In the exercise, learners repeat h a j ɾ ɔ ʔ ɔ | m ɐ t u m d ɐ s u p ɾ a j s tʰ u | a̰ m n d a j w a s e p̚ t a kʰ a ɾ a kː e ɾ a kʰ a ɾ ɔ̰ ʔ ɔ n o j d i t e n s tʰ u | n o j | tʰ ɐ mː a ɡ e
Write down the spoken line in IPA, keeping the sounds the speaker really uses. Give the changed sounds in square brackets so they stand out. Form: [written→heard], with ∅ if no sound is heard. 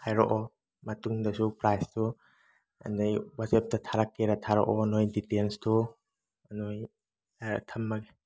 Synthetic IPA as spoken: h a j ɾ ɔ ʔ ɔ | m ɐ t u [m→ŋ] d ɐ s u p ɾ a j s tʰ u | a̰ [m→∅] n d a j w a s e p̚ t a [kʰ→tʰ] a ɾ a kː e ɾ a [kʰ→tʰ] a ɾ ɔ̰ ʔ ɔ n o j d i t e n s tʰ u | n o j | tʰ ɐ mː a ɡ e